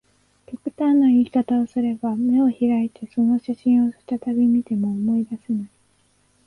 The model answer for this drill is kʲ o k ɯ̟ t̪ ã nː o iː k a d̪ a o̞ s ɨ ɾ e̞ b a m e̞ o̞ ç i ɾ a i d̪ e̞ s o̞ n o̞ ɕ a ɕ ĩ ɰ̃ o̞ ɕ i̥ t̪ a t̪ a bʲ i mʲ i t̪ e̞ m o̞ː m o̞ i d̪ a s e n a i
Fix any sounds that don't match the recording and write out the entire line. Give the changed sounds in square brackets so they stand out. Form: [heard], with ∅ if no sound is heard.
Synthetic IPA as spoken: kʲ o k ɯ̟ t̪ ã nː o iː k a [t̪] a o̞ s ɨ ɾ e̞ b a m e̞ o̞ ç i ɾ a i [t̪] e̞ s o̞ n o̞ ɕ a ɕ ĩ ɰ̃ o̞ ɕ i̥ t̪ a t̪ a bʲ i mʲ i t̪ e̞ m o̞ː m o̞ i d̪ a s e n a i